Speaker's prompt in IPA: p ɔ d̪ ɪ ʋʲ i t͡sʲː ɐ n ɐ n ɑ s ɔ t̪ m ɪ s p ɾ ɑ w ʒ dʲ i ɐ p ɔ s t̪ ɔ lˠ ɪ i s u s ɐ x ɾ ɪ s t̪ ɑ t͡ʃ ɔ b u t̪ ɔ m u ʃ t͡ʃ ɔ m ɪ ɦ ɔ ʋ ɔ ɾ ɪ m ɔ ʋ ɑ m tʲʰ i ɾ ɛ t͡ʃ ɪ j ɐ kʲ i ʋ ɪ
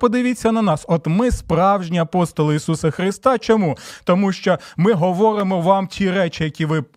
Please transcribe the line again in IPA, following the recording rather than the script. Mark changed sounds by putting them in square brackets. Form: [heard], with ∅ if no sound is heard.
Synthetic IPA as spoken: p ɔ d̪ ɪ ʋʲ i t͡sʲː ɐ n ɐ n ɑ s ɔ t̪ m ɪ s p ɾ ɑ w ʒ [nʲ] i ɐ p ɔ s t̪ ɔ lˠ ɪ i s u s ɐ x ɾ ɪ s t̪ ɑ t͡ʃ ɔ [m] u t̪ ɔ m u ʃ t͡ʃ ɔ m ɪ ɦ ɔ ʋ ɔ ɾ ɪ m ɔ ʋ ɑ m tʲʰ i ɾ ɛ t͡ʃ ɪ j ɐ kʲ i ʋ ɪ